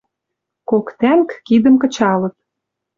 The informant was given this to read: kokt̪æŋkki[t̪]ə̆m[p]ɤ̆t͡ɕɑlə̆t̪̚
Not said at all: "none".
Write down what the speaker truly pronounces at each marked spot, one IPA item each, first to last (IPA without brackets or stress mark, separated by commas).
d̪, k